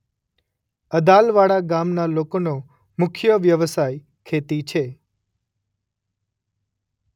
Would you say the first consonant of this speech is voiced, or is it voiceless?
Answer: voiced